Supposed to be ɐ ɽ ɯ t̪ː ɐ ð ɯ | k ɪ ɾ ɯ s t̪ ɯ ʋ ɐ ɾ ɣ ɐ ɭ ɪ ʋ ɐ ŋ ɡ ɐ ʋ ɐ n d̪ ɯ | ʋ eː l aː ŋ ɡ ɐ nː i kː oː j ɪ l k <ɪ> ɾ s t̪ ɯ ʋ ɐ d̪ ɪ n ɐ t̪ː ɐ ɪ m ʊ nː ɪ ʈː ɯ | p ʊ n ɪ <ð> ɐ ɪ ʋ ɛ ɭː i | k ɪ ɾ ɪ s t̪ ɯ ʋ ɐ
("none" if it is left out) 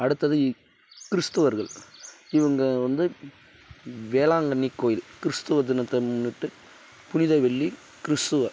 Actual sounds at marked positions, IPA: ɪ, ð

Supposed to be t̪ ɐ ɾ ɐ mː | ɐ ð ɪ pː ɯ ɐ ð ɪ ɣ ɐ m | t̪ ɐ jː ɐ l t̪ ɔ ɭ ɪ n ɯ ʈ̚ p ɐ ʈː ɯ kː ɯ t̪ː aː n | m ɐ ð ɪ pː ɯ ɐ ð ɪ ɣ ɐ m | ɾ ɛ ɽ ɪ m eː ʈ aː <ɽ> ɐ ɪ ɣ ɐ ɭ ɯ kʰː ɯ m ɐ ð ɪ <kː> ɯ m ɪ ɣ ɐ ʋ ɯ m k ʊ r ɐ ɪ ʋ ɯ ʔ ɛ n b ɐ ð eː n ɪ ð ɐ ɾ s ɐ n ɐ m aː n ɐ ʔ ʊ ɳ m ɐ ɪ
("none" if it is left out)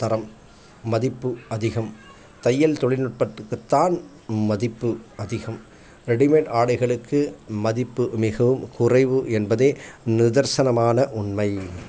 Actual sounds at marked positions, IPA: ɽ, pː

